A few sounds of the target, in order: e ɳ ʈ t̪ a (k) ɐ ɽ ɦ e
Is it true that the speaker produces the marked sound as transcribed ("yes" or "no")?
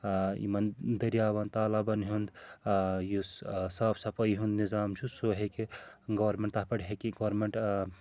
no